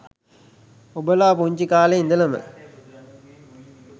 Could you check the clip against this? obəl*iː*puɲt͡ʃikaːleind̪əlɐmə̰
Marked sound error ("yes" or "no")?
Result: yes